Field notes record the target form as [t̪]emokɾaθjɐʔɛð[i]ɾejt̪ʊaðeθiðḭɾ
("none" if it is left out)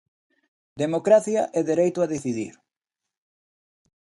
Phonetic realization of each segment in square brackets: d̪, e

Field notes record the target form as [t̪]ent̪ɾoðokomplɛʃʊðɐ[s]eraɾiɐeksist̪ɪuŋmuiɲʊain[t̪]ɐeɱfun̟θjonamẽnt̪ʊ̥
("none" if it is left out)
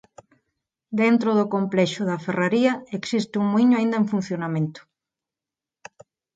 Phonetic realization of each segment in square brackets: d̪, f, d̪

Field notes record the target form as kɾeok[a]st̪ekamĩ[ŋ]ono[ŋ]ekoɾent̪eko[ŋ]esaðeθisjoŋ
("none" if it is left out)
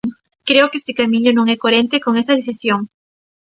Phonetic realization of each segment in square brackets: e, ɲ, ŋ, ŋ

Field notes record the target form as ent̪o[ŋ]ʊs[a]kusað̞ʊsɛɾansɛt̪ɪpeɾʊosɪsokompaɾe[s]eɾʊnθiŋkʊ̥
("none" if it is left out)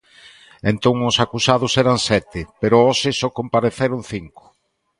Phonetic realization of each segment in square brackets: ŋ, a, θ

